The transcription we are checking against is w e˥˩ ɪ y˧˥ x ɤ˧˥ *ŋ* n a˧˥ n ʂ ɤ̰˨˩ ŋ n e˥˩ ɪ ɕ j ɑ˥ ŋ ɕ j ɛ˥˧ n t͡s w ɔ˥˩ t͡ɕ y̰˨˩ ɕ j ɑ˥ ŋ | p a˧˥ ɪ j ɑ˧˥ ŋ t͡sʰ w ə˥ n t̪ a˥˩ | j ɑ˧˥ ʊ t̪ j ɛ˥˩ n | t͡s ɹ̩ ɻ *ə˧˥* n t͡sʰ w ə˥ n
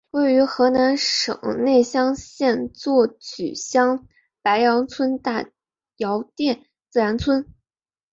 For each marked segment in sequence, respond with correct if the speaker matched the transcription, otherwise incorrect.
incorrect, incorrect

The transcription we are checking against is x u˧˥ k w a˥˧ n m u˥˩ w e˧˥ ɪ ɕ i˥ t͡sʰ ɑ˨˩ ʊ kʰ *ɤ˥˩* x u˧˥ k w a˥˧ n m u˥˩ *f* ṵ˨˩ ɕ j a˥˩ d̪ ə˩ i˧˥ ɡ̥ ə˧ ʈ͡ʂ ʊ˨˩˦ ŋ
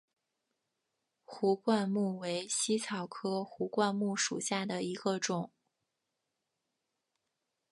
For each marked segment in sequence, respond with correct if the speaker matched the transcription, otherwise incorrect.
incorrect, incorrect

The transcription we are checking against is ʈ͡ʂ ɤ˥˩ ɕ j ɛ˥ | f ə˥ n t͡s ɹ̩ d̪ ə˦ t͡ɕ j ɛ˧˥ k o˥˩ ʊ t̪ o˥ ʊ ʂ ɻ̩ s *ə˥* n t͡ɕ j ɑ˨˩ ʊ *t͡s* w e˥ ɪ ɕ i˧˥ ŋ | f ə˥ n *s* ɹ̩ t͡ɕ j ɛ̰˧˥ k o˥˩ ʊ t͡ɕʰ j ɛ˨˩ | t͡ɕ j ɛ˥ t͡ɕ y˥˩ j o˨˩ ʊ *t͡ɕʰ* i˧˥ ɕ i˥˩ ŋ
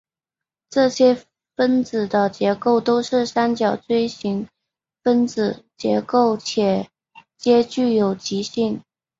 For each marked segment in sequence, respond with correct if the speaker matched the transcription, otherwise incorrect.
incorrect, correct, incorrect, incorrect

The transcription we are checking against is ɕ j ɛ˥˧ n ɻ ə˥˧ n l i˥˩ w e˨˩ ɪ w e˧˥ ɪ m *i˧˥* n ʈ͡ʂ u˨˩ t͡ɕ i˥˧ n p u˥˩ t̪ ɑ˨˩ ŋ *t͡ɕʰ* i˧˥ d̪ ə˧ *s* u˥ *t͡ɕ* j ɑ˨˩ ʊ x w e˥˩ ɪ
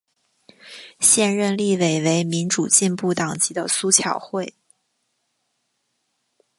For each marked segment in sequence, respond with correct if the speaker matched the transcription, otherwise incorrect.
correct, incorrect, correct, incorrect

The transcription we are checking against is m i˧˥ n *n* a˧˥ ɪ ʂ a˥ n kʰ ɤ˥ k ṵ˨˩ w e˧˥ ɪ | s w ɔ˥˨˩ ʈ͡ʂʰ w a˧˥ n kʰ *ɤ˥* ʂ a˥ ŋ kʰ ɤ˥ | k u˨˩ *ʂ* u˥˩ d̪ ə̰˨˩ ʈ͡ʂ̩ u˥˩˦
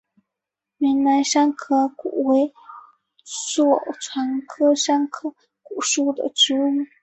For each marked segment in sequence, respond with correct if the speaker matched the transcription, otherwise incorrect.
correct, correct, correct

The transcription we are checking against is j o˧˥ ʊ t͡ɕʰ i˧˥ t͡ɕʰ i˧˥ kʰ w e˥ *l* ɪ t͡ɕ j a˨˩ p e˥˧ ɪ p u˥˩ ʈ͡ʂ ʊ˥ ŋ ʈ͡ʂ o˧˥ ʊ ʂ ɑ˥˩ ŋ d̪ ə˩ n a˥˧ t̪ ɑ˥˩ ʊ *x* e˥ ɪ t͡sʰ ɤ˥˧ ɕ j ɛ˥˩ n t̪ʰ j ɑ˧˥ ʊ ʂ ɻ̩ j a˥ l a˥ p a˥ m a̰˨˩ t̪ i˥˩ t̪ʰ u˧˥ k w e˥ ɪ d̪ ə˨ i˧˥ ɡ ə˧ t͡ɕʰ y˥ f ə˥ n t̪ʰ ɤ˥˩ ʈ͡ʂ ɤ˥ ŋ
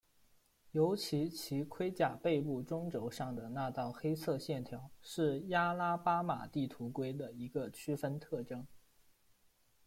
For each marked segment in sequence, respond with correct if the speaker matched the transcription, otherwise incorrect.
incorrect, correct

